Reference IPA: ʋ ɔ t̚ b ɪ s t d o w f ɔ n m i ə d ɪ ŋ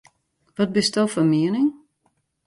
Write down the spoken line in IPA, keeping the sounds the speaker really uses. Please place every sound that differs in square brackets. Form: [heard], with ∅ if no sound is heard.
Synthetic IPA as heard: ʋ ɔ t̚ b ɪ s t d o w f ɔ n m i ə [n] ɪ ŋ